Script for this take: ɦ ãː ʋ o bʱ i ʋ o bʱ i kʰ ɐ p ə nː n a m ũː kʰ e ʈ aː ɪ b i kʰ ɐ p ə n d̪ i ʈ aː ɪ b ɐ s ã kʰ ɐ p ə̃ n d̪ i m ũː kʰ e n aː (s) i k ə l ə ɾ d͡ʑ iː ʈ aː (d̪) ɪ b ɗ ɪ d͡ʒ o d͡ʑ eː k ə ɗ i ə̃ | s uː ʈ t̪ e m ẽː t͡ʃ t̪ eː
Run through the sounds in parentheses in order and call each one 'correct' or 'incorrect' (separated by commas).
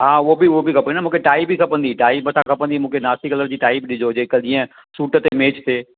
correct, incorrect